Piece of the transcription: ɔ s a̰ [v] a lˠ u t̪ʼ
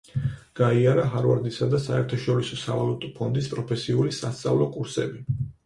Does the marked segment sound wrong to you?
no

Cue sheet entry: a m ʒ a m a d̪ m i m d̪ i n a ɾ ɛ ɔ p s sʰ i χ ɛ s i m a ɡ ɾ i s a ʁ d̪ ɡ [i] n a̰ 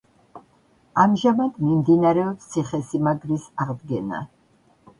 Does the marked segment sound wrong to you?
yes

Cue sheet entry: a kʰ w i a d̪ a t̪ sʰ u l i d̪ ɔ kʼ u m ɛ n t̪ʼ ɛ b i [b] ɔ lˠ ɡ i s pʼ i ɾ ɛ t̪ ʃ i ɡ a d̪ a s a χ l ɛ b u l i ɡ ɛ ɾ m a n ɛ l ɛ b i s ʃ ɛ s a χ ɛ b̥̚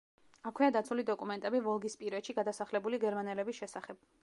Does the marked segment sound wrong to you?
yes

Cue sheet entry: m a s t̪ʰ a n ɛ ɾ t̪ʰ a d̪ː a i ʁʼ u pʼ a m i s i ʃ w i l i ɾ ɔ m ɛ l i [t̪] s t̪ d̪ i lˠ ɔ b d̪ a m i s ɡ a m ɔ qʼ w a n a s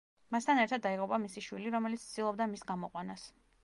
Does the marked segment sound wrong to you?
no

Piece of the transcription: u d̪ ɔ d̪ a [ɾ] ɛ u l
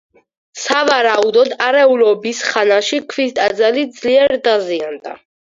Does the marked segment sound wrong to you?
no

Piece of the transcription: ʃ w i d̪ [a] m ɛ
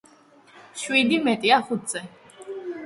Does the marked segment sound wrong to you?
yes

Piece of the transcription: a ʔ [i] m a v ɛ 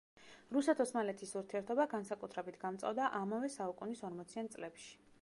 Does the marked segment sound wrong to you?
yes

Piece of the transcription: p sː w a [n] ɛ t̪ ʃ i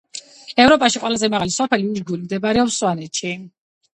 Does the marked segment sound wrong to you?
no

